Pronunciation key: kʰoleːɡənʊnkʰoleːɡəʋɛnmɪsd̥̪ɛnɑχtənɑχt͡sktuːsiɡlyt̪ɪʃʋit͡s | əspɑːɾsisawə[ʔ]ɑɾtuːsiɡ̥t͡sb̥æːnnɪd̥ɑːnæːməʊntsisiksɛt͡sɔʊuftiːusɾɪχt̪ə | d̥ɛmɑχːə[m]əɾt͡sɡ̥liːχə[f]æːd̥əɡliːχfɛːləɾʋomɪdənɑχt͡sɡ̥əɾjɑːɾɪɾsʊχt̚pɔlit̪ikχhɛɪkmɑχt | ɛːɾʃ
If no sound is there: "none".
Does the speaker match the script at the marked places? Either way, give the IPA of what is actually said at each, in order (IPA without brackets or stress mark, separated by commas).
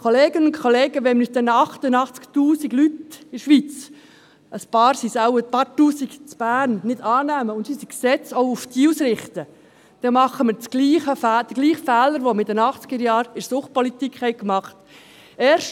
p, m, f